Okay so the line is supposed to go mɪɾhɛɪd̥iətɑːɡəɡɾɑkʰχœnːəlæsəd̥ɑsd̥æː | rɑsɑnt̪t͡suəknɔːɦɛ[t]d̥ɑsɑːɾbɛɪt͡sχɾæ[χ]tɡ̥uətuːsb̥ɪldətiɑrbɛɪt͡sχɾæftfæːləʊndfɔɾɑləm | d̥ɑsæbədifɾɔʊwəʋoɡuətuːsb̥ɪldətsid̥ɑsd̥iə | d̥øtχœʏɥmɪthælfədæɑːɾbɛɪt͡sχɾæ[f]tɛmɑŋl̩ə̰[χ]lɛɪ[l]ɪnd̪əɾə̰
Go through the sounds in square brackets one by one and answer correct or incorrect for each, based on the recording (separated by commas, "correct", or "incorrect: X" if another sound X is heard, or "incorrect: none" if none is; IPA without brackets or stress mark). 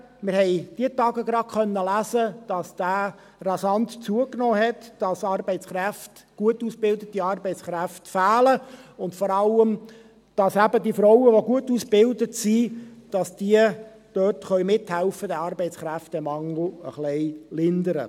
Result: correct, incorrect: f, correct, correct, correct